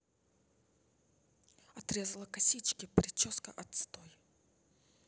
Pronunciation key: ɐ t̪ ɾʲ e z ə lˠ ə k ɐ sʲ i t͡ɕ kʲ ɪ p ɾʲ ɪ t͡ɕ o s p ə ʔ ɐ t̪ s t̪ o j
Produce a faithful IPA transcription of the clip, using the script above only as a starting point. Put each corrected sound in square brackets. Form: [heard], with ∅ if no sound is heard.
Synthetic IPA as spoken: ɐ t̪ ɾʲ e z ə lˠ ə k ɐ sʲ i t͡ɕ kʲ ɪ p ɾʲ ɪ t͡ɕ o s [k] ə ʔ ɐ t̪ s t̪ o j